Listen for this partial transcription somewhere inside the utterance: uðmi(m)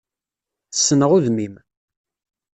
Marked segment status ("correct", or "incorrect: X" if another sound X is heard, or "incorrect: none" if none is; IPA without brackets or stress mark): correct